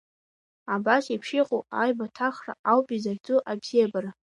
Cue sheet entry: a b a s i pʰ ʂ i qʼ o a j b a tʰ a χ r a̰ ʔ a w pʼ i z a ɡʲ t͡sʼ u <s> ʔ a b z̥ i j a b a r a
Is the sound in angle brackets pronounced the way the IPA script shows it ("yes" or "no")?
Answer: no